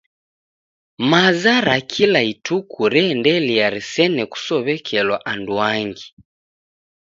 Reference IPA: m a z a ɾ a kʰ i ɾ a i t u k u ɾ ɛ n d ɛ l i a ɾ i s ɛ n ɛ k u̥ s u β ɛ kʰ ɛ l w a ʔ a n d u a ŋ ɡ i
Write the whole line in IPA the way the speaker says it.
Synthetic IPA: m a z a ɾ a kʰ i l a i t u k u ɾ ɛ n d ɛ l i a ɾ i s ɛ n ɛ k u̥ s ɔ β ɛ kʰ ɛ l w a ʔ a n d u a ŋ ɡ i